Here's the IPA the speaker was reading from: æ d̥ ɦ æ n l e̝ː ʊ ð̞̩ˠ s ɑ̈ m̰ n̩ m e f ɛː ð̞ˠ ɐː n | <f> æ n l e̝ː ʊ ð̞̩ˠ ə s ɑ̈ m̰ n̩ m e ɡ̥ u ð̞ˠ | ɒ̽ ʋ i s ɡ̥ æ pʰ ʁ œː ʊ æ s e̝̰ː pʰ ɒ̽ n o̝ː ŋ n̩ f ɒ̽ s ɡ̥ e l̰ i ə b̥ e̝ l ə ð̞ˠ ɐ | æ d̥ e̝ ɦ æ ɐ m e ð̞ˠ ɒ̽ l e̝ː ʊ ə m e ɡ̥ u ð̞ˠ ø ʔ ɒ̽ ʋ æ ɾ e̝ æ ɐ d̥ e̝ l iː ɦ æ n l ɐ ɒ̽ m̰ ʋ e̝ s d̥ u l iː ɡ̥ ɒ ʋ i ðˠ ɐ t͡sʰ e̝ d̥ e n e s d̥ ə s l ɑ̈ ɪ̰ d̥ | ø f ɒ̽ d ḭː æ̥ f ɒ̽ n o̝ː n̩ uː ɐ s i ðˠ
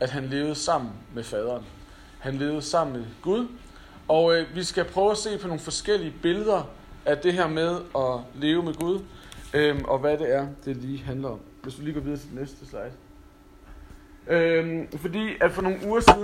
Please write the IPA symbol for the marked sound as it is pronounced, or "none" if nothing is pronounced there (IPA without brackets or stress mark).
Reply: h